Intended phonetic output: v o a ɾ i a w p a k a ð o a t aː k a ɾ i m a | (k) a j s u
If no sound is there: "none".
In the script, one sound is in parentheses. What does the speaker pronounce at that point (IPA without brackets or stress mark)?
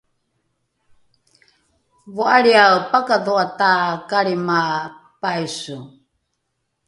p